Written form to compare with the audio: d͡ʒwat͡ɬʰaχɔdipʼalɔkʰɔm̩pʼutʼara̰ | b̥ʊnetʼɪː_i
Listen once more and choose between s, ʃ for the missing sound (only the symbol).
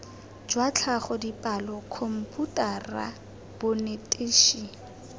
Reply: ʃ